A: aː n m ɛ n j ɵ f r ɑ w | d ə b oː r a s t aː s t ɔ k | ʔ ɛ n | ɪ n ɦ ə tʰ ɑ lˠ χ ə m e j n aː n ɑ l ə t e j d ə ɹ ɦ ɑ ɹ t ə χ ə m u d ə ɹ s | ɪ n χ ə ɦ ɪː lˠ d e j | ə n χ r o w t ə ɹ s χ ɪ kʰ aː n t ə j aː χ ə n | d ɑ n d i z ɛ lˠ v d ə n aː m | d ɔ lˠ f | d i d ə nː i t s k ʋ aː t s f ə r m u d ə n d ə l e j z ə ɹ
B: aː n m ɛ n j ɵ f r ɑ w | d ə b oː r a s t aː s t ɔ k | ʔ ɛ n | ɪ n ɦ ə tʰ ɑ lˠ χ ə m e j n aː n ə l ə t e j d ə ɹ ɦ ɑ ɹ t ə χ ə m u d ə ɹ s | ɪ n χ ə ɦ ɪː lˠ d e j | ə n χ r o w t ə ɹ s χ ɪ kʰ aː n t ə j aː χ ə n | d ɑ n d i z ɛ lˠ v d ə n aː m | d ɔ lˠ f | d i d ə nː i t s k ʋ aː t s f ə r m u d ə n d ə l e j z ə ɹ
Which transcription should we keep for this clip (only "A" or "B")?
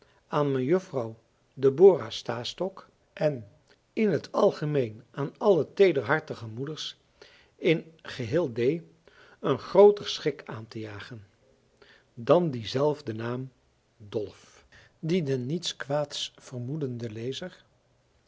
A